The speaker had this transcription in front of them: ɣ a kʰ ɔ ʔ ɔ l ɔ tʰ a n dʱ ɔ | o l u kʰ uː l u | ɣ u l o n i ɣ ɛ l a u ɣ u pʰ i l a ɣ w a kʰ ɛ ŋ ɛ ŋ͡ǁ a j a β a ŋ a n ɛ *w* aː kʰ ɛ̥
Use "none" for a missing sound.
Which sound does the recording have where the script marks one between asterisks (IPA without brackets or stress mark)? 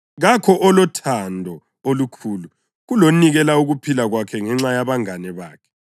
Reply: β